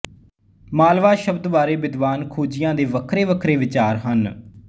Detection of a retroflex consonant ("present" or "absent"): absent